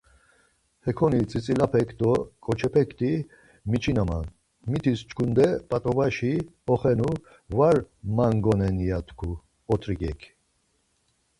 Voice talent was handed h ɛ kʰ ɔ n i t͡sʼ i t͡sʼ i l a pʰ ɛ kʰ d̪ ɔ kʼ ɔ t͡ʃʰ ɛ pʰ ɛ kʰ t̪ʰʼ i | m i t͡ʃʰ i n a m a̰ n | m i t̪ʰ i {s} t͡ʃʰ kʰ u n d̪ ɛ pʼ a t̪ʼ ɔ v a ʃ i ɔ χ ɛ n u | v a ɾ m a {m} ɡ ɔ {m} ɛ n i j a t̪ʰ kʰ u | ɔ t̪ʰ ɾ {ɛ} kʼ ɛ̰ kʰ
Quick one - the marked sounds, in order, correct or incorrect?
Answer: correct, incorrect: ŋ, incorrect: n, incorrect: i

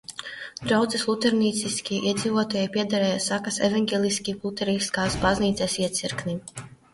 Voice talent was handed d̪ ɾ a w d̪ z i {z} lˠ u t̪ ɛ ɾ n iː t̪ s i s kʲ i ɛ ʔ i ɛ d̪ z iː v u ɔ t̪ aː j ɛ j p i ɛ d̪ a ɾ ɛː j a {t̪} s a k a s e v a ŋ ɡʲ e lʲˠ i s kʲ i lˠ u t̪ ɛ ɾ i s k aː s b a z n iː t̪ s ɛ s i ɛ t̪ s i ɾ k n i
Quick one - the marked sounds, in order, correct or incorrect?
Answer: incorrect: s, incorrect: none

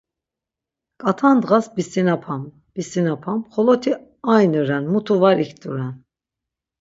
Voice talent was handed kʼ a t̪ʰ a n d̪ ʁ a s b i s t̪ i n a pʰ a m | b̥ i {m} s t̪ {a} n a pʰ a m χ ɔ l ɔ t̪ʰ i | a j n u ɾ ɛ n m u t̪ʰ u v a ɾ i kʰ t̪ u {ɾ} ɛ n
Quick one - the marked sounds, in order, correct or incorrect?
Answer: incorrect: none, incorrect: i, correct

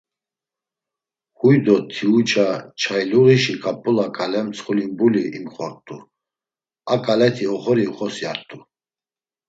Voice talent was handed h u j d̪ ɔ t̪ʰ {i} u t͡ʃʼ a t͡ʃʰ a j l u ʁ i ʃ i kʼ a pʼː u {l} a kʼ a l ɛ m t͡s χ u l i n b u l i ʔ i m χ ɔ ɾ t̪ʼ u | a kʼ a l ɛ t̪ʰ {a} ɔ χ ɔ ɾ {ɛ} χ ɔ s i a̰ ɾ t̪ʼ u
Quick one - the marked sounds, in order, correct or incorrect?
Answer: correct, correct, incorrect: i, incorrect: i

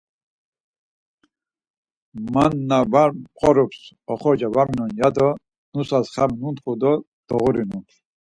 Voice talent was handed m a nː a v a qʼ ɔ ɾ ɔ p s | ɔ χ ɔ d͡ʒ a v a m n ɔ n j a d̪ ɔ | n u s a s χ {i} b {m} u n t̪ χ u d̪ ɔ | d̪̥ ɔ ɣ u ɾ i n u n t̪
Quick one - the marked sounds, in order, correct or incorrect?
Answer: incorrect: a, incorrect: n

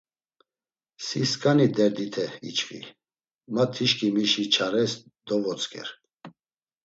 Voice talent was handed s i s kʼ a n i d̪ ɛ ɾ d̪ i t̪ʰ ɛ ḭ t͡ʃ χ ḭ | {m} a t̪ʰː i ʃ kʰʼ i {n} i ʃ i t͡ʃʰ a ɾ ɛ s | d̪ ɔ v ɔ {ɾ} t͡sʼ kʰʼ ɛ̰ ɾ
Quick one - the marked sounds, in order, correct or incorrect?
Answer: correct, incorrect: m, incorrect: none

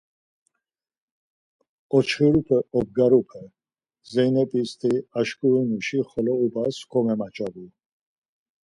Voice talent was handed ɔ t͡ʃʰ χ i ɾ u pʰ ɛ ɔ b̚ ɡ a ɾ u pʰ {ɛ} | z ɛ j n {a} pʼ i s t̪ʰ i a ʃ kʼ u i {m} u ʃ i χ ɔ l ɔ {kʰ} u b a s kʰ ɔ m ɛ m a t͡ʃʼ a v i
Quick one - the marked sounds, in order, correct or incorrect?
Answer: correct, incorrect: ɛ, incorrect: n, incorrect: none

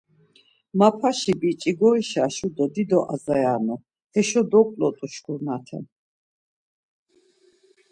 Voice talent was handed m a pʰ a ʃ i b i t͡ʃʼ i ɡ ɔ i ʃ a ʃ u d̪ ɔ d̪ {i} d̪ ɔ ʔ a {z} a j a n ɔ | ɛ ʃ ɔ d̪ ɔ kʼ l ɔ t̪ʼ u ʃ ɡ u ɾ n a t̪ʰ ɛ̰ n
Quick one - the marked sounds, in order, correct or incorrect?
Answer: correct, correct

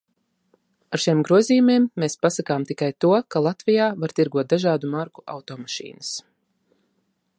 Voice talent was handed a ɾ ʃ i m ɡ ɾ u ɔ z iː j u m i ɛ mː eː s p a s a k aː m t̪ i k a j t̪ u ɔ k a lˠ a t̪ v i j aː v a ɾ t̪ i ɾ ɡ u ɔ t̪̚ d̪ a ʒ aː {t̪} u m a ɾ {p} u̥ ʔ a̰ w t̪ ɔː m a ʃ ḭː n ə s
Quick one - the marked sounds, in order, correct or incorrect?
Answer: incorrect: d̪, incorrect: k

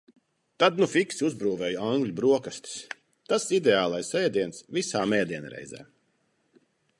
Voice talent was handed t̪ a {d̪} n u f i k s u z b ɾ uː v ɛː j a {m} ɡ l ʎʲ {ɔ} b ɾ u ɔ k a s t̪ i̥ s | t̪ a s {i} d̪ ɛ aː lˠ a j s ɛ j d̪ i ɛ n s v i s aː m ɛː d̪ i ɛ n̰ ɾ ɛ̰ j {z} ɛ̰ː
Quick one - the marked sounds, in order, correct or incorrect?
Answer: correct, incorrect: ŋ, incorrect: u, correct, correct

